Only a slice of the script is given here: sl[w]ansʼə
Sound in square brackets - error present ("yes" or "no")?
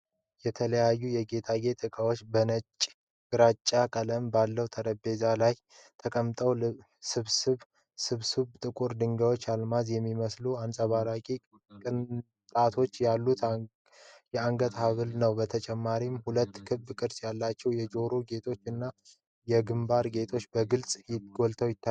yes